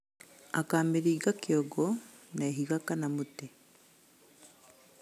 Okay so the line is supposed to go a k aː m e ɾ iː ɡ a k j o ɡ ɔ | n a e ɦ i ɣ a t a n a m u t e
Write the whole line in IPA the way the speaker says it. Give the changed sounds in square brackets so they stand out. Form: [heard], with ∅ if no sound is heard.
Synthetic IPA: a k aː m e ɾ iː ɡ a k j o ɡ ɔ | n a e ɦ i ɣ a [k] a n a m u t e